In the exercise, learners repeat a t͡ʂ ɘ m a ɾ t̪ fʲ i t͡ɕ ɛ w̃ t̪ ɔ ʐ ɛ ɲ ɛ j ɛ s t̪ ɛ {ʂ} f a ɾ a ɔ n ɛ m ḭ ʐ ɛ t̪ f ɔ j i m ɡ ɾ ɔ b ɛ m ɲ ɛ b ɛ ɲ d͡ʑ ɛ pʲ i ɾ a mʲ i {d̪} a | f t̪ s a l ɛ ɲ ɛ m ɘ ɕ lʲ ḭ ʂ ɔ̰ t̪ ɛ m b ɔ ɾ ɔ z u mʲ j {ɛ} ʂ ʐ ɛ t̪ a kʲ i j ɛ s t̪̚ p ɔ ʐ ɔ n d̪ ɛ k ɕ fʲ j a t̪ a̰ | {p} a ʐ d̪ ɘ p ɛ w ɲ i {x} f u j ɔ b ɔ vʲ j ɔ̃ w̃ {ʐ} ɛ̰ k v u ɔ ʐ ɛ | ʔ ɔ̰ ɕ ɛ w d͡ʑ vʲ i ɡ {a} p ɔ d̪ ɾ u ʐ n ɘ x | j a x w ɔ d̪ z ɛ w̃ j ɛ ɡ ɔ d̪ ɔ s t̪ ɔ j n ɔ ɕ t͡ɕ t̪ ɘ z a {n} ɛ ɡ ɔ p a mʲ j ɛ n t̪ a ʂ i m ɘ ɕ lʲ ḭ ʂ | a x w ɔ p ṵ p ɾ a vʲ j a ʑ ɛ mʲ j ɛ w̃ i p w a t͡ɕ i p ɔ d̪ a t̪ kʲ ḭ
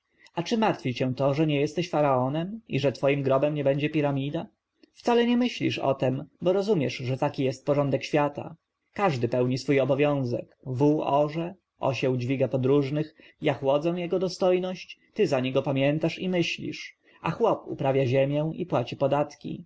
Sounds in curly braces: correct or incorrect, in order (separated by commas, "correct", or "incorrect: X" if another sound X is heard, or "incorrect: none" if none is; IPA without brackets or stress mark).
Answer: incorrect: ɕ, correct, correct, incorrect: k, incorrect: s, incorrect: z, correct, incorrect: ɲ